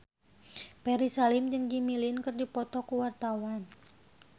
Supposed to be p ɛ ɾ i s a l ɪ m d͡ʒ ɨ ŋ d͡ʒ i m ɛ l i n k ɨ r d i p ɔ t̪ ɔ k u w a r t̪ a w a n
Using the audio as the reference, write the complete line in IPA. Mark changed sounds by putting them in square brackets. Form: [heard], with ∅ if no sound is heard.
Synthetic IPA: p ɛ ɾ i s a l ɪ m d͡ʒ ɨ ŋ d͡ʒ i m [i] l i n k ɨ r d i p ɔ t̪ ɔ k u w a r t̪ a w a n